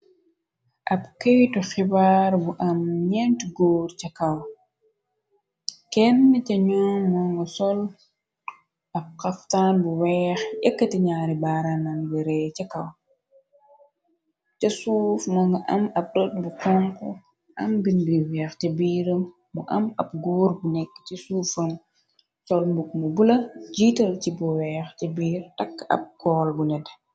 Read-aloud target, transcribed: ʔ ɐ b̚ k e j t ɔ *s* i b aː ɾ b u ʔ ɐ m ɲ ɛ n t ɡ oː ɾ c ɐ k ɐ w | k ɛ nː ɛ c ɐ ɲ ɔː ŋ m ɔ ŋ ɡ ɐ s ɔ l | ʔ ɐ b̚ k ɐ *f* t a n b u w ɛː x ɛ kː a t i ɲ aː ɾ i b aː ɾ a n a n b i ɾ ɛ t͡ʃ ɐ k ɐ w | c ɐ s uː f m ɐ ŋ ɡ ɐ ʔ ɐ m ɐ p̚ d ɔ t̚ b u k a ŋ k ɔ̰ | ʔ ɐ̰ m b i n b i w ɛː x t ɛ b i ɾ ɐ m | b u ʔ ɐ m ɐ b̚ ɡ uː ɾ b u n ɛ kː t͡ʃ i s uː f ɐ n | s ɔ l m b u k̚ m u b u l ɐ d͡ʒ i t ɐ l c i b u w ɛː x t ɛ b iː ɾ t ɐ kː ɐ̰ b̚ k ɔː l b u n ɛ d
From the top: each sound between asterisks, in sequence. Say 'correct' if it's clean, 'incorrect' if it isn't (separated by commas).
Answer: incorrect, correct